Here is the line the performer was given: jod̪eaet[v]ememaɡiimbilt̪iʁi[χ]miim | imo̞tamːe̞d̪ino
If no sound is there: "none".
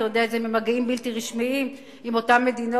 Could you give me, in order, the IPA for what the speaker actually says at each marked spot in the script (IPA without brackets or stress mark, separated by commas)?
z, ʃ